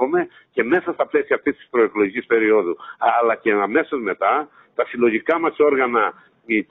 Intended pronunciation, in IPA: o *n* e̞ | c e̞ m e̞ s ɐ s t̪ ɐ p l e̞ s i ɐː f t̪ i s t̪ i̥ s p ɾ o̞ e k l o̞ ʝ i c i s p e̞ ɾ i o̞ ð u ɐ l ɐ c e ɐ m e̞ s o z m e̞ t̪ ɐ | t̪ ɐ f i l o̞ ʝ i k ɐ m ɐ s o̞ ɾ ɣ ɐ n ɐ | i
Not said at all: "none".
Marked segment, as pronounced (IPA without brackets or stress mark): m